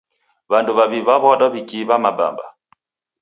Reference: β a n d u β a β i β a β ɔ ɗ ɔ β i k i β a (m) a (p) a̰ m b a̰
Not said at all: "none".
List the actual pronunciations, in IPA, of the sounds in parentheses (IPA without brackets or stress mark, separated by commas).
m, b